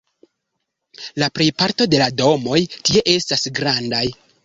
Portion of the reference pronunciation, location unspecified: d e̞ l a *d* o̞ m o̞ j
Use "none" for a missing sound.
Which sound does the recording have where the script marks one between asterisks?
d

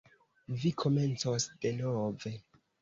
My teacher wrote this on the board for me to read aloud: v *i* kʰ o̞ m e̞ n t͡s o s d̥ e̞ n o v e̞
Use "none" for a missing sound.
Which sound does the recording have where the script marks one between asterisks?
i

